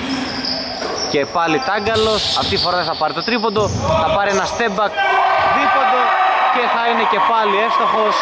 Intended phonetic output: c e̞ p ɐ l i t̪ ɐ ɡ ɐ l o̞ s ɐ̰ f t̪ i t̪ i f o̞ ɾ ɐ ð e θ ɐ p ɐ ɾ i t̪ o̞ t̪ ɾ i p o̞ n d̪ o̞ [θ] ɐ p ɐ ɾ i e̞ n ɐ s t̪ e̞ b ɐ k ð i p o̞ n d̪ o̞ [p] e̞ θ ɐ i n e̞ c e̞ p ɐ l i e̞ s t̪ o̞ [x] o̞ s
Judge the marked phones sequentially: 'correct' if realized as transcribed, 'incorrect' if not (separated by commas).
correct, incorrect, correct